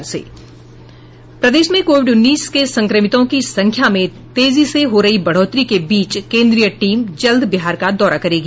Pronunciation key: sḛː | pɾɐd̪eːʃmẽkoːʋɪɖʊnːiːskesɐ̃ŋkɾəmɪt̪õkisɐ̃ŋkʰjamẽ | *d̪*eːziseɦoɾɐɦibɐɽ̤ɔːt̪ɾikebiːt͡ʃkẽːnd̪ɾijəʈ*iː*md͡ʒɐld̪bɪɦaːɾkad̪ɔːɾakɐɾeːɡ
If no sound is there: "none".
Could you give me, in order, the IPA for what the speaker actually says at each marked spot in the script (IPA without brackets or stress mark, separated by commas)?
t̪, iː